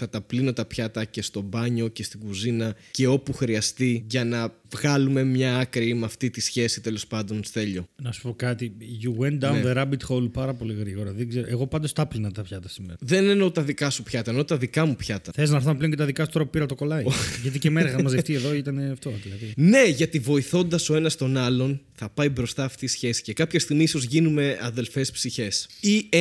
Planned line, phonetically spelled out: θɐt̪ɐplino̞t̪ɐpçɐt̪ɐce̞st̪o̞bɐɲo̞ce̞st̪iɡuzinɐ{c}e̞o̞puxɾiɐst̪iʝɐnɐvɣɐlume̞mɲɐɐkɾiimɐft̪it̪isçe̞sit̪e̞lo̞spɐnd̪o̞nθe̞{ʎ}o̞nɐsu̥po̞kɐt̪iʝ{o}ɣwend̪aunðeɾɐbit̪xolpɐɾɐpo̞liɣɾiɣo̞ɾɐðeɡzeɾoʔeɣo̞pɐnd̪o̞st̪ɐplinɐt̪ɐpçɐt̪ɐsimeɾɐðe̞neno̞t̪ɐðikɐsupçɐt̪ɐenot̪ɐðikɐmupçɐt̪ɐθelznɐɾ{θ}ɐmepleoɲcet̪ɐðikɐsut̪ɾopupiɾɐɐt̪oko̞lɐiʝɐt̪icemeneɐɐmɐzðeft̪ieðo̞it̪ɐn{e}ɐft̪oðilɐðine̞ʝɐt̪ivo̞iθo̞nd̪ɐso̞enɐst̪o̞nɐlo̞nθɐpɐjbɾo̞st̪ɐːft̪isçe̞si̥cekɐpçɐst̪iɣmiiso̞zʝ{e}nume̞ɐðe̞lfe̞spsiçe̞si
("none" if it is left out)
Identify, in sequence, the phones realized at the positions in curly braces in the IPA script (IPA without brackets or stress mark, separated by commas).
c, ʎ, u, θ, e, i